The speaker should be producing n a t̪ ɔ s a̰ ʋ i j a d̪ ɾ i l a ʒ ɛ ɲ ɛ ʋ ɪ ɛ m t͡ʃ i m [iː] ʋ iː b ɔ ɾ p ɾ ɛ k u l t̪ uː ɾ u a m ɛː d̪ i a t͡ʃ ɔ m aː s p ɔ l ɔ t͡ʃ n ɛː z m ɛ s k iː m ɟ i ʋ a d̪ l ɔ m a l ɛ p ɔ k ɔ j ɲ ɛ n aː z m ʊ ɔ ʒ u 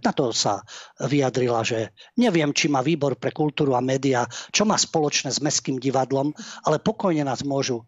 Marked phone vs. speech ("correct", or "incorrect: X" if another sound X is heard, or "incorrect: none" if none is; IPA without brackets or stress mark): incorrect: aː